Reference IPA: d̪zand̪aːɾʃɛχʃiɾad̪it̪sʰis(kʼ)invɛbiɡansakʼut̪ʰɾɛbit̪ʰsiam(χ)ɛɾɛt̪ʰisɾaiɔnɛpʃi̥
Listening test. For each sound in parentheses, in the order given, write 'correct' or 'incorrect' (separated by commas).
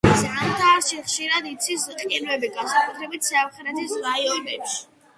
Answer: incorrect, correct